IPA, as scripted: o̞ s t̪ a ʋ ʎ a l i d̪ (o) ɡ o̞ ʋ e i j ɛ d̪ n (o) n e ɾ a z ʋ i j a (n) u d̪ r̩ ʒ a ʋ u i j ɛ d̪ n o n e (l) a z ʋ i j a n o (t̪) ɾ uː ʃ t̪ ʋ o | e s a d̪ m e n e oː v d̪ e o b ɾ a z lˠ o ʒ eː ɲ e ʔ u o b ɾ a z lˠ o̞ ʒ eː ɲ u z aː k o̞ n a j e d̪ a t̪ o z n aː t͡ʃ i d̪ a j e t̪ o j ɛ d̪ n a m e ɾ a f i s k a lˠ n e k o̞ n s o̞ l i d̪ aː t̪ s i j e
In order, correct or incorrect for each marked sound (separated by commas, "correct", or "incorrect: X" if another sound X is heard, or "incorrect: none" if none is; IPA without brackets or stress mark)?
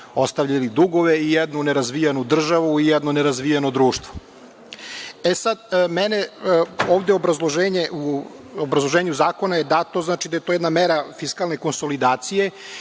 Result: incorrect: u, incorrect: u, correct, incorrect: ɾ, incorrect: d̪